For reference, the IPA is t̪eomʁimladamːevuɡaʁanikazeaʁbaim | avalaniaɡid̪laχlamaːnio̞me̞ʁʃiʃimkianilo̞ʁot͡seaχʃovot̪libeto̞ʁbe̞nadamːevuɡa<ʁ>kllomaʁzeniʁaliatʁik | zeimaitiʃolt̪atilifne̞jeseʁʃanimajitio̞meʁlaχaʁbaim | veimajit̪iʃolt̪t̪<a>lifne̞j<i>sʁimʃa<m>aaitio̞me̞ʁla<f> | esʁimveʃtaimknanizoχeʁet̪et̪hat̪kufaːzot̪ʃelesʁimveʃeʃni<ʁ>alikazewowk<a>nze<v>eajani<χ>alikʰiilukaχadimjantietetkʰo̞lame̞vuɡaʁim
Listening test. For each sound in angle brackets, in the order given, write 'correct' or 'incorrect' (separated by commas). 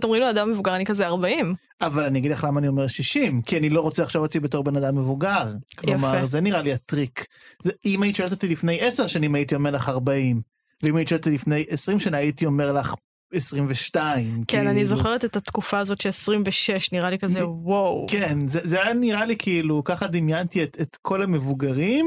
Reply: correct, incorrect, incorrect, incorrect, incorrect, correct, incorrect, incorrect, incorrect